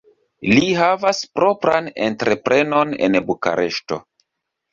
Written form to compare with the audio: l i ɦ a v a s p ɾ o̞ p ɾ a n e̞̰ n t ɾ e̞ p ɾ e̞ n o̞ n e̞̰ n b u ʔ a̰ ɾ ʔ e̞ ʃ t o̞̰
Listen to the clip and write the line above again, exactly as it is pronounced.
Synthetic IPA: l i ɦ a v a s p ɾ o̞ p ɾ a n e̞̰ n t ɾ e̞ p ɾ e̞ n o̞ n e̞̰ n b u k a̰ ɾ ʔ e̞ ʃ t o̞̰